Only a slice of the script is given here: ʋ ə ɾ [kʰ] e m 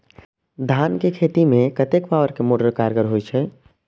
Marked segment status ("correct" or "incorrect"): incorrect